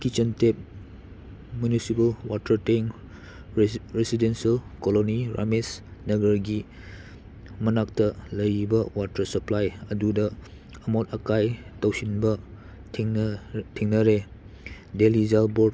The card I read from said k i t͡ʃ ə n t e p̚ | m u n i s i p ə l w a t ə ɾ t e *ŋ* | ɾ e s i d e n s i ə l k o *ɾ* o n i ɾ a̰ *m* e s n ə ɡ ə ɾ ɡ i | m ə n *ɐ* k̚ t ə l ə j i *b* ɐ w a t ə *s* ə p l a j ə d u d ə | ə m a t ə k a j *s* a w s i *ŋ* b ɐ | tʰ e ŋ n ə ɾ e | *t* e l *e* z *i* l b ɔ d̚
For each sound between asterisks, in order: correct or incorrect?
correct, incorrect, correct, incorrect, correct, correct, incorrect, incorrect, incorrect, incorrect, incorrect

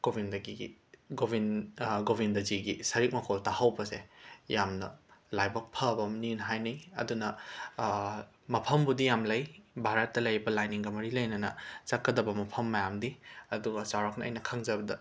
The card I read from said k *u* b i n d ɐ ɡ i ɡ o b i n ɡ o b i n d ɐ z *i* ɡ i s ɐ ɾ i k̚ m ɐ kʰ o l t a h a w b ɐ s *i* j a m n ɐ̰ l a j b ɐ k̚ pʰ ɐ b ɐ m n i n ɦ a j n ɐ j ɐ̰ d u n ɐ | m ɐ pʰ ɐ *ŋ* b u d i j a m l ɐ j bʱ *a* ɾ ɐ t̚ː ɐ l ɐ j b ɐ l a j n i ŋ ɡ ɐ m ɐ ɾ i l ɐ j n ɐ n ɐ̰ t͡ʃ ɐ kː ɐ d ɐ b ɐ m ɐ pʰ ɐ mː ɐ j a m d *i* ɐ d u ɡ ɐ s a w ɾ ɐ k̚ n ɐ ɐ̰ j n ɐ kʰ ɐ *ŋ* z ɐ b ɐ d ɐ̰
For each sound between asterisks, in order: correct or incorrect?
incorrect, correct, incorrect, incorrect, correct, correct, correct

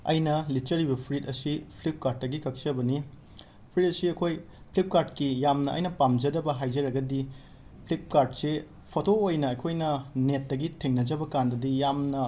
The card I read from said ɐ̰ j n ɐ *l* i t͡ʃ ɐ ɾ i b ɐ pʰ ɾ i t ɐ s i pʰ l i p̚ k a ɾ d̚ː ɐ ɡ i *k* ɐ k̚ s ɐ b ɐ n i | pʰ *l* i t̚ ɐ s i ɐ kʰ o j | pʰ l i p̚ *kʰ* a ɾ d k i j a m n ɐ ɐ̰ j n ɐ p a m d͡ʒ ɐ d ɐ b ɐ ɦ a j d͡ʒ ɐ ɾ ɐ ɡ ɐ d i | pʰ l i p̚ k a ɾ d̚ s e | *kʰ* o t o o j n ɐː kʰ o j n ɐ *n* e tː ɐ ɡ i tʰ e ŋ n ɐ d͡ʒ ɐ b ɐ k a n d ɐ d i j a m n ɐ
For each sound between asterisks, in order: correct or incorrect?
correct, correct, incorrect, incorrect, incorrect, correct

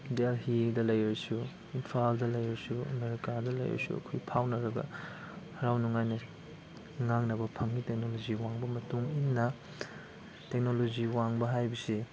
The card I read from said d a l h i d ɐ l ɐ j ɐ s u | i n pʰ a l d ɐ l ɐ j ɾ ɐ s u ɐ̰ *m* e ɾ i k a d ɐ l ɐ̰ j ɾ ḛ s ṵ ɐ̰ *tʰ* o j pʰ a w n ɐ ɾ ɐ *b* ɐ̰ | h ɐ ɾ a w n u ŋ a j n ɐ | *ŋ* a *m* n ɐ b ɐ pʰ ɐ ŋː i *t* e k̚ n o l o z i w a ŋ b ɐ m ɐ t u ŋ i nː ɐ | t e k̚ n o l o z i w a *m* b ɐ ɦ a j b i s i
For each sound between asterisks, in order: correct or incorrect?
correct, incorrect, incorrect, correct, incorrect, correct, incorrect

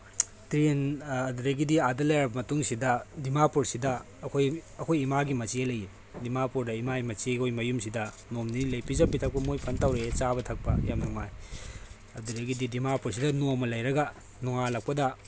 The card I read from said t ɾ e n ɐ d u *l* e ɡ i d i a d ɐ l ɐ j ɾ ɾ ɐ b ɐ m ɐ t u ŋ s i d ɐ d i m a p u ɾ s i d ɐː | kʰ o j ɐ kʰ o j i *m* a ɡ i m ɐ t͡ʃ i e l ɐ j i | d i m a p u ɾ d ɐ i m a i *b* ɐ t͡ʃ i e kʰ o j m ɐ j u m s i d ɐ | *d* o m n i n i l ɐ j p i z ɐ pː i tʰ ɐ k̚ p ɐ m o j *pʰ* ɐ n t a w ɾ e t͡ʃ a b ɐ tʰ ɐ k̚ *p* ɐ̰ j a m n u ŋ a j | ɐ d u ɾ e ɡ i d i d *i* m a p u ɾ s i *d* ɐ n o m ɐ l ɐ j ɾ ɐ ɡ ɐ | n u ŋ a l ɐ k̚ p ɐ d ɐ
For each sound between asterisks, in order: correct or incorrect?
incorrect, correct, incorrect, incorrect, correct, correct, correct, correct

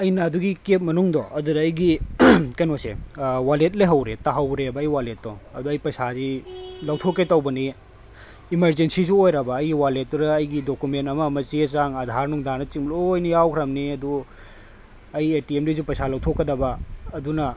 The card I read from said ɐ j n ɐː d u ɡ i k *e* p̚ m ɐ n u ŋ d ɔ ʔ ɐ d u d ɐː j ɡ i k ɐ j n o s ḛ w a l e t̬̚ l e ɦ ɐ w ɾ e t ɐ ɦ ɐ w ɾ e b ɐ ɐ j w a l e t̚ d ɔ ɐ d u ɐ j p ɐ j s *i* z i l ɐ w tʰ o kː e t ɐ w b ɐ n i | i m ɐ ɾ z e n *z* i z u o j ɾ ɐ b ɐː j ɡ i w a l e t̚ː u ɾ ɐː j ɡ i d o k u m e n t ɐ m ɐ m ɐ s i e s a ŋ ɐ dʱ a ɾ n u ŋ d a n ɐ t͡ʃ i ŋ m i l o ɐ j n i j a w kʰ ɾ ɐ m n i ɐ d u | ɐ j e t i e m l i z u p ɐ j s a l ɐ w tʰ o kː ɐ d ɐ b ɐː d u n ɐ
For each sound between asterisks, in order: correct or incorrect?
correct, incorrect, incorrect

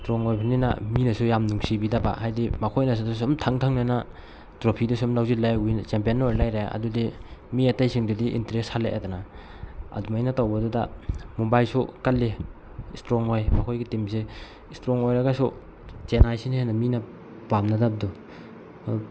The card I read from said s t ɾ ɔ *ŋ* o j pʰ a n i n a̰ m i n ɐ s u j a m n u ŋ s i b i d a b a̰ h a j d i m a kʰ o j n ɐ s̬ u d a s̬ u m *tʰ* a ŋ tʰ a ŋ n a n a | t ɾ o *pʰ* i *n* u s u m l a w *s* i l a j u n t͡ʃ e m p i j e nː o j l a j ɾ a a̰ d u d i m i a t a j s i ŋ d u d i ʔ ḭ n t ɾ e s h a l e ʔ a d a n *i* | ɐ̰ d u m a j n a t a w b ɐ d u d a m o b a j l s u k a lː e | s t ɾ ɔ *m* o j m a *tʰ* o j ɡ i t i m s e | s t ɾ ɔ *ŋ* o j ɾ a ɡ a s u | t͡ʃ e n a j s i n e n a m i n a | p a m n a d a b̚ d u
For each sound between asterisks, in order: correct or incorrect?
correct, correct, correct, incorrect, incorrect, incorrect, incorrect, incorrect, correct

